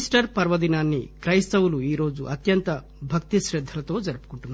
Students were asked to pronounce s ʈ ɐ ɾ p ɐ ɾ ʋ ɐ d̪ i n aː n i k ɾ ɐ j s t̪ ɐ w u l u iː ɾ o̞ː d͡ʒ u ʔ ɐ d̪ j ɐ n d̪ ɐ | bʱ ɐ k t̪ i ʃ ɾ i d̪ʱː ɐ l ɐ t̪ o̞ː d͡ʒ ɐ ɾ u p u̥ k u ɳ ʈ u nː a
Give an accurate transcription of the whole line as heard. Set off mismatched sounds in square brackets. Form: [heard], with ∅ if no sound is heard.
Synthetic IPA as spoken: s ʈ ɐ ɾ p ɐ ɾ ʋ ɐ d̪ i n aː [nː] i k ɾ ɐ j s t̪ ɐ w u l u iː ɾ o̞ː d͡ʒ u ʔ ɐ [t̪] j ɐ n [t̪] ɐ | bʱ ɐ k t̪ i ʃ ɾ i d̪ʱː ɐ l ɐ t̪ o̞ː d͡ʒ ɐ ɾ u p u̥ k u ɳ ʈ u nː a